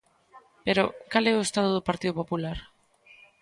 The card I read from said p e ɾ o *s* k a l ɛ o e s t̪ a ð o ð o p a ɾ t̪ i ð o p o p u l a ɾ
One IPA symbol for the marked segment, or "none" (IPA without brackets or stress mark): none